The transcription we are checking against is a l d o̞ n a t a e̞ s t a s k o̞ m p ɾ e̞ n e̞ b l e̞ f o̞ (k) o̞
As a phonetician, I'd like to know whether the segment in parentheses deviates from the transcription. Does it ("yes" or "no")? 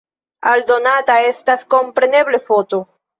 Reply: yes